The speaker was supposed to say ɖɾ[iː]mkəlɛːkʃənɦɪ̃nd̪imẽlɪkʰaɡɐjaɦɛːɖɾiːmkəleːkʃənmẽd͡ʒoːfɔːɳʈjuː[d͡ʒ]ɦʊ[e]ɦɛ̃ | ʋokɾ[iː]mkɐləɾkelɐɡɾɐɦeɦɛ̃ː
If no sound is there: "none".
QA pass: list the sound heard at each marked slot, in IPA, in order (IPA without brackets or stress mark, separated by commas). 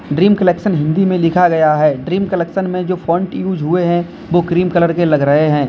iː, d͡ʒ, e, iː